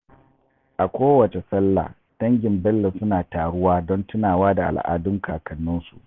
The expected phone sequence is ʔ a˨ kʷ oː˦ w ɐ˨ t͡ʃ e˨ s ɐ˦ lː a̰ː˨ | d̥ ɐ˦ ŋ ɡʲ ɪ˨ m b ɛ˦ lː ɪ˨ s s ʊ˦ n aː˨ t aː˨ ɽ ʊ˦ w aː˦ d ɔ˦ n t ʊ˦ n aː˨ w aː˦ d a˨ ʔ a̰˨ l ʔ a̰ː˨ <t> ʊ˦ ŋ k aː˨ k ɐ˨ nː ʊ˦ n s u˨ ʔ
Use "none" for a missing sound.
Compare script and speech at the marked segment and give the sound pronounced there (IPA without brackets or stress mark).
d